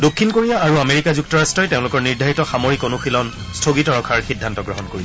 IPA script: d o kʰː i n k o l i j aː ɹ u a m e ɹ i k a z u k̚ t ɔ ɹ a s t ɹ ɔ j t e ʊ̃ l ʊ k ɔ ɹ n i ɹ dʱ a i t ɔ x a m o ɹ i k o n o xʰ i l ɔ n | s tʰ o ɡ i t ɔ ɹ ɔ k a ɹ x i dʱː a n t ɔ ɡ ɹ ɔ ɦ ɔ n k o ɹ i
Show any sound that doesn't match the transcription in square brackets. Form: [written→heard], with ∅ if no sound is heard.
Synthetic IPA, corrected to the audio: d o kʰː i n k o [l→ɹ] i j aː ɹ u a m e ɹ i k a z u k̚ t ɔ ɹ a s t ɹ ɔ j t e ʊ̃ l ʊ k ɔ ɹ n i ɹ dʱ a i t ɔ x a m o ɹ i k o n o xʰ i l ɔ n | s tʰ o ɡ i t ɔ ɹ ɔ [k→kʰ] a ɹ x i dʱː a n t ɔ ɡ ɹ ɔ ɦ ɔ n k o ɹ i